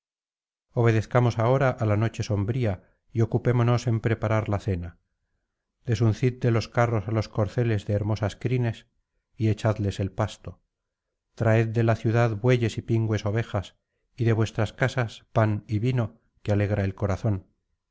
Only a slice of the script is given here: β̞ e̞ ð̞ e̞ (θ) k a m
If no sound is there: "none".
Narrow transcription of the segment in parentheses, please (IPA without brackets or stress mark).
θ